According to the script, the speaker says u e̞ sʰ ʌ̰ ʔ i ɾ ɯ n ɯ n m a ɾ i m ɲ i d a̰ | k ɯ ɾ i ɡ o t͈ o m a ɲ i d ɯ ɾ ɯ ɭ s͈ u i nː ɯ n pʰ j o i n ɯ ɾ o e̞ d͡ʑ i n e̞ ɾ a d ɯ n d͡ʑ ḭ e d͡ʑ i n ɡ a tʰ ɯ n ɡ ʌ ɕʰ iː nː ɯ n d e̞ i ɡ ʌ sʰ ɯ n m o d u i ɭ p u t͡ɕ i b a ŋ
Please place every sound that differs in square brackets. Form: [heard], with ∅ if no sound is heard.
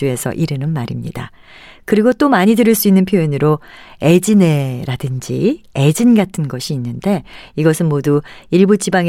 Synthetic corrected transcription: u e̞ sʰ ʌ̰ ʔ i ɾ ɯ n ɯ n m a ɾ i m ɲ i d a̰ | k ɯ ɾ i ɡ o t͈ o m a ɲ i d ɯ ɾ ɯ ɭ s͈ u i nː ɯ n pʰ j o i n ɯ ɾ o e̞ d͡ʑ i n e̞ ɾ a d ɯ n d͡ʑ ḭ e d͡ʑ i n ɡ a tʰ ɯ n ɡ ʌ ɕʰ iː nː ɯ n d e̞ i ɡ ʌ sʰ ɯ n m o d u i ɭ [b] u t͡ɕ i b a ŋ